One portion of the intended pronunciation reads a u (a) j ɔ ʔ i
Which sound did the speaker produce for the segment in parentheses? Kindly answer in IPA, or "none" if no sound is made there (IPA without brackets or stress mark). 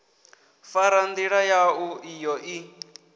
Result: i